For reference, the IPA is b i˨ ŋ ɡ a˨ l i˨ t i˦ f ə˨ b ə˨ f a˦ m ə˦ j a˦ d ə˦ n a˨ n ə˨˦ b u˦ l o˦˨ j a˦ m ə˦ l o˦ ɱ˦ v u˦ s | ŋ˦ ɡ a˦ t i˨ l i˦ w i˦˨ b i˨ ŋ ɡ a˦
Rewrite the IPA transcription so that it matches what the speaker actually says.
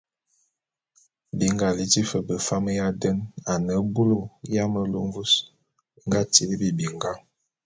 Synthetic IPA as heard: b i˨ ŋ ɡ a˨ l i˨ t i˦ f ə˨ b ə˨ f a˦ m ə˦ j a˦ d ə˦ n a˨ n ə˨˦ b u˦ l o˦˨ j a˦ m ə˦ l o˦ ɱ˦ v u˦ s | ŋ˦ ɡ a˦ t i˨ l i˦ b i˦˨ b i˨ ŋ ɡ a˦

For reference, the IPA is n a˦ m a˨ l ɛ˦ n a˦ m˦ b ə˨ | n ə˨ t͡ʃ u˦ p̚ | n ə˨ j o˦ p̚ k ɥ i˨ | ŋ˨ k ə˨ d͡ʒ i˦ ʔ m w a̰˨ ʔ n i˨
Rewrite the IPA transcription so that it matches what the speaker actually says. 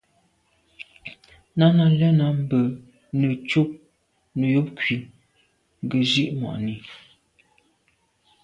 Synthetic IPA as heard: n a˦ n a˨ l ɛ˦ n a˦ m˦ b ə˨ | n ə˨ t͡ʃ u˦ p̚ | n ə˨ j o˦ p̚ k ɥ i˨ | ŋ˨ ɡ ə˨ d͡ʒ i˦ ʔ m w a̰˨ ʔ n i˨

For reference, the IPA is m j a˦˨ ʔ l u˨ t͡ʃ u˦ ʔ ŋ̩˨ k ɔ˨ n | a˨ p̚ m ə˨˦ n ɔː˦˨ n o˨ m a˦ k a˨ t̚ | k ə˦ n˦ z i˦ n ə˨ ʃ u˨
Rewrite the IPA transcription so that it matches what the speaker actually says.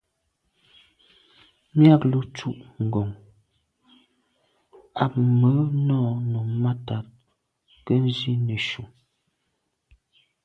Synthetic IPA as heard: m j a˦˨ k l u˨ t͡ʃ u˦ ʔ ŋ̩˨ ɡ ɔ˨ ŋ | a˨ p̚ m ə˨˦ n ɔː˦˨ n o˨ m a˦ t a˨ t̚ | k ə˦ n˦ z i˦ n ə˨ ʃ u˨

